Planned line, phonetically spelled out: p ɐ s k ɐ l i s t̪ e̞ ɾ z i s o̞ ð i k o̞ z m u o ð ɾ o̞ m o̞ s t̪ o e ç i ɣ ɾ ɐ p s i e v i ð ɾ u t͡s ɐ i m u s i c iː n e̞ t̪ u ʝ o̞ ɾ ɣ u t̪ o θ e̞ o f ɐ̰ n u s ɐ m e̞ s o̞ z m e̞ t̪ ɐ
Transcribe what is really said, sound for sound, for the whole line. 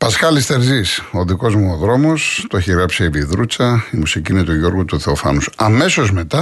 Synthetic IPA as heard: p ɐ s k ɐ l i s t̪ e̞ ɾ z i s o̞ ð i k o̞ z m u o ð ɾ o̞ m o̞ s t̪ o e ç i ɣ ɾ ɐ p s i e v i ð ɾ u t͡s ɐ i m u s i c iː n e̞ t̪ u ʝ o̞ ɾ ɣ u t̪ u θ e̞ o f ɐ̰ n u s ɐ m e̞ s o̞ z m e̞ t̪ ɐ